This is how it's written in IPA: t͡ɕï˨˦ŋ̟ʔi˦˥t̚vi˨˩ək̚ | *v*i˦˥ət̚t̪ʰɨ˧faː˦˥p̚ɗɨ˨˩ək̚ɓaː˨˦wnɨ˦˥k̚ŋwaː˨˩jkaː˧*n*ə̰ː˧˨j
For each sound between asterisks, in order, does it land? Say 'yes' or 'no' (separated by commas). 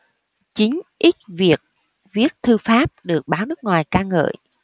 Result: yes, no